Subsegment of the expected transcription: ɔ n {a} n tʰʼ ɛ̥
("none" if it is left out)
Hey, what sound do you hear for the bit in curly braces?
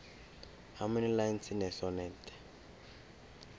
ɛ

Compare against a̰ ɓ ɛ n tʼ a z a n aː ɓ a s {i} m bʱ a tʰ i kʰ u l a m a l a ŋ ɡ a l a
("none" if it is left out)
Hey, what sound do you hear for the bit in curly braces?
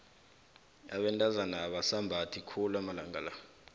a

